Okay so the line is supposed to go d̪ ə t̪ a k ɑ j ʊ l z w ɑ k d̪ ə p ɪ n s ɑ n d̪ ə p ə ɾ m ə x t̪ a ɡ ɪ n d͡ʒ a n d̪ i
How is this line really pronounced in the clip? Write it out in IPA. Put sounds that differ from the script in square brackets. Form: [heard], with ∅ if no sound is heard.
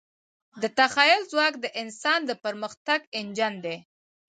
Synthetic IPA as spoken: d̪ ə t̪ a [x] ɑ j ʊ l z w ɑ k d̪ ə [ʔ] ɪ n s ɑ n d̪ ə p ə ɾ m ə x t̪ a ɡ ɪ n d͡ʒ a n d̪ [e]